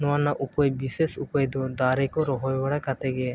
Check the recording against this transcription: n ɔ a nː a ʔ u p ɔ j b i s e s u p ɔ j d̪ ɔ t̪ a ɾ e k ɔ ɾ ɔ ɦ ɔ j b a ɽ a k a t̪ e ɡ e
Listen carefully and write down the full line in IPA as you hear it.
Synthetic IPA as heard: n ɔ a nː a ʔ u p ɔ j b i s e s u p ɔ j d̪ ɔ d̪ a ɾ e k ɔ ɾ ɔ ɦ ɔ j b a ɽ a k a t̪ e ɡ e